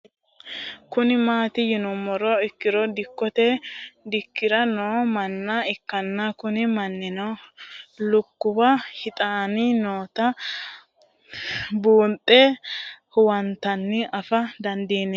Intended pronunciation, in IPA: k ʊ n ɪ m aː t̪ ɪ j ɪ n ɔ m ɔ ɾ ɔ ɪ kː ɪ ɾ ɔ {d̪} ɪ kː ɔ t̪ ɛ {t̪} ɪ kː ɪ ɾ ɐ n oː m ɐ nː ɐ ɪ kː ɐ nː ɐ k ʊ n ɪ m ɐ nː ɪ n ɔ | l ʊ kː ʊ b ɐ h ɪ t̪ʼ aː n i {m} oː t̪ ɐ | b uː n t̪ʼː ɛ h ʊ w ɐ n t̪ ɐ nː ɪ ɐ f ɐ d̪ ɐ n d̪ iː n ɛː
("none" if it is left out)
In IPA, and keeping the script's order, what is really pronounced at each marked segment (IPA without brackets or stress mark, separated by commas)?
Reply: d̪, d̪, n